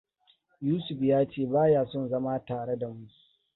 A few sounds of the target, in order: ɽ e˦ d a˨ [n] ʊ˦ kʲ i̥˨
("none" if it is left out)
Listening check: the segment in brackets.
m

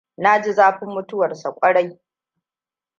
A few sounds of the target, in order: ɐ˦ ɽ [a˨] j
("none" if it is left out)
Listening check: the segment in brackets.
a˦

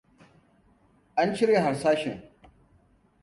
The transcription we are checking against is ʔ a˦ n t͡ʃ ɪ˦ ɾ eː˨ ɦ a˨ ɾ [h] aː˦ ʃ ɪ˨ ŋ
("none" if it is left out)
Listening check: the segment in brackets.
s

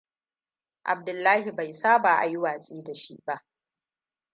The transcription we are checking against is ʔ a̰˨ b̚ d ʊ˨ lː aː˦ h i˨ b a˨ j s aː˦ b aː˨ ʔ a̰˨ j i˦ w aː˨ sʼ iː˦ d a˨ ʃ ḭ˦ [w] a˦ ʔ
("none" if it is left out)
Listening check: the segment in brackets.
b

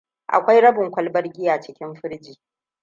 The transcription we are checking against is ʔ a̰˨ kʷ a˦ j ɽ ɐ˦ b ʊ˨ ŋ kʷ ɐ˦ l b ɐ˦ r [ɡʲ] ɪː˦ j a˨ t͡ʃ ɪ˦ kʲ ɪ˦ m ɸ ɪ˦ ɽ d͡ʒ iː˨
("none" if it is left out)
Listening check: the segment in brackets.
ɡʲ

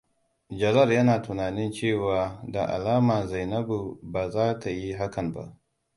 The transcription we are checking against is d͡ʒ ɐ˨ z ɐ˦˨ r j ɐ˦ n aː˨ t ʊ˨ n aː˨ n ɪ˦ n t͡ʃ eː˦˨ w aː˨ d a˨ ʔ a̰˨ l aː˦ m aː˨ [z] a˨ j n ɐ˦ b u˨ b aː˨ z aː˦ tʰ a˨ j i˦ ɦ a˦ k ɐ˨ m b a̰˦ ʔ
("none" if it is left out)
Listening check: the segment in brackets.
z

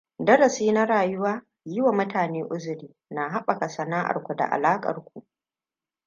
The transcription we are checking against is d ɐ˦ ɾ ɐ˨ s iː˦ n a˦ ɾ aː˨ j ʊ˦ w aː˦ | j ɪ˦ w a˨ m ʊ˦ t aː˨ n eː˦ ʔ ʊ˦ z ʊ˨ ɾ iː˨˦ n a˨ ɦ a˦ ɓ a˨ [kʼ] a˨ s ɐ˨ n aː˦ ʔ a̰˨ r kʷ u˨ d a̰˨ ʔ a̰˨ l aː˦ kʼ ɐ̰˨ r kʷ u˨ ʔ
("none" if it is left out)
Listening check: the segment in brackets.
k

